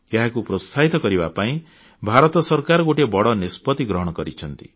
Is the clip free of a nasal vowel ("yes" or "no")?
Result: no